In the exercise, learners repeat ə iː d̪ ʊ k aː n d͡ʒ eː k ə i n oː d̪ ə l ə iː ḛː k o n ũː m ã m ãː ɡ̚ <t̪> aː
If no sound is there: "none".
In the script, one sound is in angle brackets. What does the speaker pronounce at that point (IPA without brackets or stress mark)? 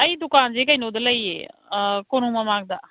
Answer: d̪